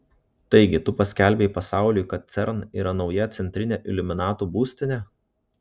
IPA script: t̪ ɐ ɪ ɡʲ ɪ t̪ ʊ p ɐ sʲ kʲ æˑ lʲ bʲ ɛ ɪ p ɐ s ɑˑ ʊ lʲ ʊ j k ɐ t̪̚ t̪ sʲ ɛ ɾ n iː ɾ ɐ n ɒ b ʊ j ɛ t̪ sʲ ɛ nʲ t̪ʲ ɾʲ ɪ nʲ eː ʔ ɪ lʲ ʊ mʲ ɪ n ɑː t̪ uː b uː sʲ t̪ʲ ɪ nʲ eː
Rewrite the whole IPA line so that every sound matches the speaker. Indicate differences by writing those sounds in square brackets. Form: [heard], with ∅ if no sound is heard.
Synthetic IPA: t̪ ɐ ɪ ɡʲ ɪ t̪ ʊ p ɐ sʲ kʲ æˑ lʲ bʲ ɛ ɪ p ɐ s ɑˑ ʊ lʲ ʊ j k ɐ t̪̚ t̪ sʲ ɛ ɾ n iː ɾ ɐ n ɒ [∅] ʊ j ɛ t̪ sʲ ɛ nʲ t̪ʲ ɾʲ ɪ nʲ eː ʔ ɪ lʲ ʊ mʲ ɪ n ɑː t̪ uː b uː sʲ t̪ʲ ɪ nʲ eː